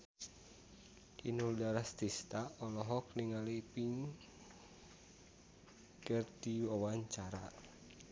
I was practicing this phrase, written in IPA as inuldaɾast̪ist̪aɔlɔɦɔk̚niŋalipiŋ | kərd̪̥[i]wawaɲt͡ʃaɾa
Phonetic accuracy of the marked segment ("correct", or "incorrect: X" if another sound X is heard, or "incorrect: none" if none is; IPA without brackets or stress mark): correct